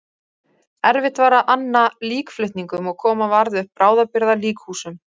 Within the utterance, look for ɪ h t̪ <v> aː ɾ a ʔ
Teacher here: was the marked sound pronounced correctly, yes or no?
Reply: yes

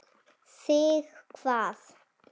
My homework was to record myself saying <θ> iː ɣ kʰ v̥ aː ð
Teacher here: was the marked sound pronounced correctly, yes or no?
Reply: no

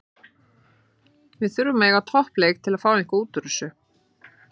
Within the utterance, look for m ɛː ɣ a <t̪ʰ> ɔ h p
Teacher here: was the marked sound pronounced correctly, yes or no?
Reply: yes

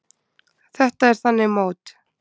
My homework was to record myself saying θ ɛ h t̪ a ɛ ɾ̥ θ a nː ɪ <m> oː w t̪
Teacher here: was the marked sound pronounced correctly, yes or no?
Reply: yes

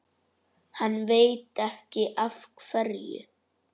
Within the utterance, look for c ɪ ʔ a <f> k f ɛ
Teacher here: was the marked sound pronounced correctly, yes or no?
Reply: yes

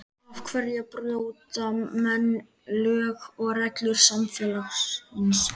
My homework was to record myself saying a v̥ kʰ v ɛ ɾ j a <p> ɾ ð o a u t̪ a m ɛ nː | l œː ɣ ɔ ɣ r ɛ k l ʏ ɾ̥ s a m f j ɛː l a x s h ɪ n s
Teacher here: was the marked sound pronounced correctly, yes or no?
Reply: yes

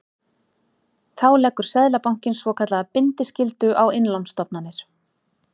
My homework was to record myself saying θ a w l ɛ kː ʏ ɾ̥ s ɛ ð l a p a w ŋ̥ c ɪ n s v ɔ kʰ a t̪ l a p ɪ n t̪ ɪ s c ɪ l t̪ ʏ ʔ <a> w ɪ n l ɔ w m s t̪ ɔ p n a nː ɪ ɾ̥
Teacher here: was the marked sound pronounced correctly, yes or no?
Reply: yes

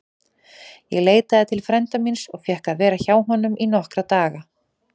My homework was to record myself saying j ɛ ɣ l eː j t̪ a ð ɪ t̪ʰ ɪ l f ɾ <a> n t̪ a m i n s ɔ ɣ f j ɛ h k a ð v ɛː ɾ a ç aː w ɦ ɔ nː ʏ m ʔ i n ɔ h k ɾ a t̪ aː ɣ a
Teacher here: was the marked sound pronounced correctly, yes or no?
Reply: no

